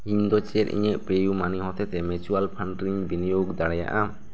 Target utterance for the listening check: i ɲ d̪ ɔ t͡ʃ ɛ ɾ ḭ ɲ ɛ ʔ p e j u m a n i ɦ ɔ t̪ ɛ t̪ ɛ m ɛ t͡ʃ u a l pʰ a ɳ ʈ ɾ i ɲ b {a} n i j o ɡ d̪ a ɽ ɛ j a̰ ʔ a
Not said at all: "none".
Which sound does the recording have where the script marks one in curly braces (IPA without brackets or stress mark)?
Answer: i